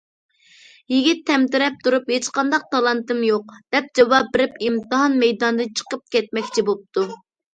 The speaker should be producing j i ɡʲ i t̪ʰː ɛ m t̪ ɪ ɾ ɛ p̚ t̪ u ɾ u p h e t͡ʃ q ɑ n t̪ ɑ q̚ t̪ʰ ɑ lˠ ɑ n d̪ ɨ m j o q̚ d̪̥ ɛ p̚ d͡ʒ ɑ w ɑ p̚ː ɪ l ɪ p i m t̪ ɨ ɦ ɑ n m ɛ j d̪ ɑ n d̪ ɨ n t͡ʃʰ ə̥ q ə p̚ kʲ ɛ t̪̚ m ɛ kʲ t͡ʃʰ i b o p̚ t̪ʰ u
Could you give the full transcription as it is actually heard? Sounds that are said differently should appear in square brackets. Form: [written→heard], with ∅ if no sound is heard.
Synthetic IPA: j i ɡʲ i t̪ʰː ɛ m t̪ ɪ ɾ ɛ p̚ t̪ u ɾ u p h e t͡ʃ q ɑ n [t̪→d̪] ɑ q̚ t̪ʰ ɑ lˠ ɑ n [d̪→t̪] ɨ m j o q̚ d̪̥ ɛ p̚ d͡ʒ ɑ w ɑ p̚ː ɪ [l→ɾ] ɪ p i m t̪ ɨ ɦ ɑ n m ɛ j d̪ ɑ n d̪ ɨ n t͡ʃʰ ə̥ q ə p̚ kʲ ɛ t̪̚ m ɛ kʲ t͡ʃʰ i b o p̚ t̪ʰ u